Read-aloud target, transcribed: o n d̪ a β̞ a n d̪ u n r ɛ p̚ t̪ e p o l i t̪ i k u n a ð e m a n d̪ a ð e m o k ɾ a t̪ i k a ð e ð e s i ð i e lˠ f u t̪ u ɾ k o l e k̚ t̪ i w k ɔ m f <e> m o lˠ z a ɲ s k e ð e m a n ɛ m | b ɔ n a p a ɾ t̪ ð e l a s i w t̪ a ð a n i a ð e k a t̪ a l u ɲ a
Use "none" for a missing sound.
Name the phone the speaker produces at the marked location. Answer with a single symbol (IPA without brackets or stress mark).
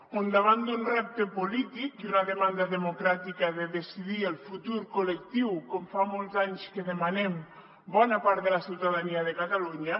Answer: a